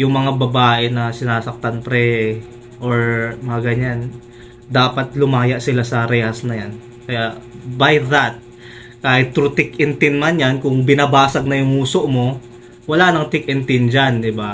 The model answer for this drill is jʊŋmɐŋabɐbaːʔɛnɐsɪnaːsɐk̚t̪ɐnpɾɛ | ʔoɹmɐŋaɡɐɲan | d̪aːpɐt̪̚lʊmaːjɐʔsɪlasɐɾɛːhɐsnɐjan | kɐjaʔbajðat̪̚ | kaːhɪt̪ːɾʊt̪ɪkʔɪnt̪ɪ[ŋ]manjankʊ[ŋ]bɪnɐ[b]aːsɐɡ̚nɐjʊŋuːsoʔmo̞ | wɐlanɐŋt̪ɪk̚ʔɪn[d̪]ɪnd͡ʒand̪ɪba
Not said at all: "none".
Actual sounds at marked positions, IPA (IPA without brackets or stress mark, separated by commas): n, ŋ, b, t̪